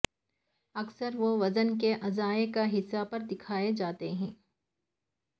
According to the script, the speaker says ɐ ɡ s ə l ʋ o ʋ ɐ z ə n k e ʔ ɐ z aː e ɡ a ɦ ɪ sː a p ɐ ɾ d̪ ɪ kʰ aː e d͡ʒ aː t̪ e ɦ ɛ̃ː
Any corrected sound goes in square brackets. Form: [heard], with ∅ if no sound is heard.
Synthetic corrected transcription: ɐ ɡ s ə [ɾ] ʋ o ʋ ɐ z ə n k e ʔ ɐ z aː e [k] a ɦ ɪ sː a p ɐ ɾ d̪ ɪ kʰ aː e d͡ʒ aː t̪ e ɦ ɛ̃ː

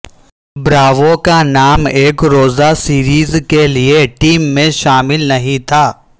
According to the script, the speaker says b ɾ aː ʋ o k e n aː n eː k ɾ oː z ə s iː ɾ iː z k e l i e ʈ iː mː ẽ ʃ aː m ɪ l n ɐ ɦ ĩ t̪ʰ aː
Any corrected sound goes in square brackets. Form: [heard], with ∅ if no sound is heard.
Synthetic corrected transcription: b ɾ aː ʋ o k [a] n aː [m] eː k ɾ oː z [a] s iː ɾ iː z k e l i e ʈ iː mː ẽ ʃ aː m ɪ l n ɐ ɦ ĩ t̪ʰ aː

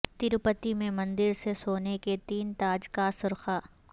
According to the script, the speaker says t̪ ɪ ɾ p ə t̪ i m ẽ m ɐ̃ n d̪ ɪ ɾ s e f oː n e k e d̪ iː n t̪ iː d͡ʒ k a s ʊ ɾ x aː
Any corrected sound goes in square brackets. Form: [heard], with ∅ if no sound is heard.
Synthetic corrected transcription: t̪ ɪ ɾ p ə t̪ i m ẽ m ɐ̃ n d̪ ɪ ɾ s e [s] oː n e k e [t̪] iː n t̪ [aː] d͡ʒ k a s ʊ ɾ x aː

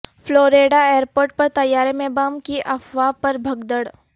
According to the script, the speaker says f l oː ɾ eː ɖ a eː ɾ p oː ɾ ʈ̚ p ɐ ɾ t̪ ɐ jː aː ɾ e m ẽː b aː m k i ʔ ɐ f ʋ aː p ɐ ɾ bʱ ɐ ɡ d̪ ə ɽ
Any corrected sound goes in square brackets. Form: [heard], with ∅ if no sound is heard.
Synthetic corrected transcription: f l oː ɾ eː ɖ a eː ɾ p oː ɾ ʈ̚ p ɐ ɾ t̪ ɐ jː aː ɾ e m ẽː b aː m k i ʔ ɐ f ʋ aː p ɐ ɾ bʱ ɐ ɡ d̪ ə ɽ

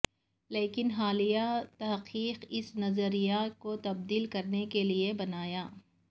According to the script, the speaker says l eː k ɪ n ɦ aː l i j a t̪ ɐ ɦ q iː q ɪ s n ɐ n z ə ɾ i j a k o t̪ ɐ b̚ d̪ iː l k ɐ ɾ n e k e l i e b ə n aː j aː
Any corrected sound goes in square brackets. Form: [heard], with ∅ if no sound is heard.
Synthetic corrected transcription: l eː k ɪ n ɦ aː l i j a t̪ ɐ ɦ q iː q ɪ s n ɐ [∅] z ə ɾ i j a k o t̪ ɐ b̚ d̪ iː l k ɐ ɾ n e k e l i e b [ɐ] n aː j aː

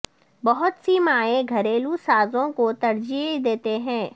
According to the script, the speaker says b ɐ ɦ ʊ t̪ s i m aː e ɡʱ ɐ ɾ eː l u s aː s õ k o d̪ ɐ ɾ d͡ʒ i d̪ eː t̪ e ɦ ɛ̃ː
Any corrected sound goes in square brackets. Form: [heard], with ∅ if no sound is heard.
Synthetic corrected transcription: b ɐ ɦ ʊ t̪ s i m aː e ɡʱ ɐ ɾ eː l u s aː [z] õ k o [t̪] ɐ ɾ d͡ʒ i d̪ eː t̪ e ɦ ɛ̃ː

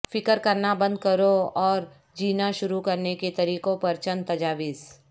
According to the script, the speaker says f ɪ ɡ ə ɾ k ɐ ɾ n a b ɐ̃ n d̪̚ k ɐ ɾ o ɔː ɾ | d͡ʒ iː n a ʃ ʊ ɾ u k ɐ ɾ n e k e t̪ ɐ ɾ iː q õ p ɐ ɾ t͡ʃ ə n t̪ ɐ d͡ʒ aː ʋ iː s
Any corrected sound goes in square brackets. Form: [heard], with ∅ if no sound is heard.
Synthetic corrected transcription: f ɪ [k] ə ɾ k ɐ ɾ n a b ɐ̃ n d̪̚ k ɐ ɾ o ɔː ɾ | d͡ʒ iː n a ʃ ʊ ɾ u k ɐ ɾ n e k e t̪ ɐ ɾ iː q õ p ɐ ɾ t͡ʃ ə n t̪ ɐ d͡ʒ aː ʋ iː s

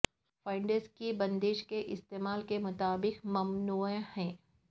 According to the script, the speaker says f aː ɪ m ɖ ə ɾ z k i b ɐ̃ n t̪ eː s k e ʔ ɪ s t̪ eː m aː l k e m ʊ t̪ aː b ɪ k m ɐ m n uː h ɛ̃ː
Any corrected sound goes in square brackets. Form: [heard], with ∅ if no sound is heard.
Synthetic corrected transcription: f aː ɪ [ɳ] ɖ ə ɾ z k i b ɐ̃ n [d̪] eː [ʃ] k e ʔ ɪ s t̪ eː m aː l k e m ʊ t̪ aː b ɪ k m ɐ m n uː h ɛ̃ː

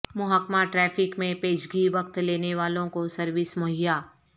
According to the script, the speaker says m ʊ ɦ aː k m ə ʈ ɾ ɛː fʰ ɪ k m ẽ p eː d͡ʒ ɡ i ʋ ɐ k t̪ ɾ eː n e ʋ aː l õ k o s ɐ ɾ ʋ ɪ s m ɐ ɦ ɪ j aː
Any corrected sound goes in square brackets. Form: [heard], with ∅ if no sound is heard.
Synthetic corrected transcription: m ʊ ɦ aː k m [a] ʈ ɾ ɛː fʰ ɪ k m ẽ p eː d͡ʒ ɡ i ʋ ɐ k t̪ [l] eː n e ʋ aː l õ k o s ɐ ɾ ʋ ɪ s m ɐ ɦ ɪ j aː

